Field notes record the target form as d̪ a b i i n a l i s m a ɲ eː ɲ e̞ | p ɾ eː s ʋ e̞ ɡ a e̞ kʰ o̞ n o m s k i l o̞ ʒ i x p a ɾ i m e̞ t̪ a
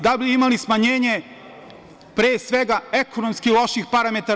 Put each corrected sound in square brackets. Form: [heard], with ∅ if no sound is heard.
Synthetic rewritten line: d̪ a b i i [m] a l i s m a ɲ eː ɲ e̞ | p ɾ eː s ʋ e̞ ɡ a e̞ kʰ o̞ n o m s k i l o̞ [ʃ] i x p a ɾ [a] m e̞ t̪ a